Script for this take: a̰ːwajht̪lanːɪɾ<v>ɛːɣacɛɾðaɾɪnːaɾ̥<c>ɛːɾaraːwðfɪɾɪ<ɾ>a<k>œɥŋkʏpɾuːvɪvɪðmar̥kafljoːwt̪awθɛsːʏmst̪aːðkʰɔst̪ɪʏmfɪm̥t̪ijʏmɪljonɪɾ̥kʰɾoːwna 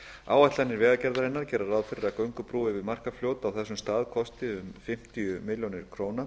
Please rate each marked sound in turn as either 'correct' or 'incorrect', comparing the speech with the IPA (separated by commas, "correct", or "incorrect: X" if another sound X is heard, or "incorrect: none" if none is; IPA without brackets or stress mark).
correct, correct, correct, correct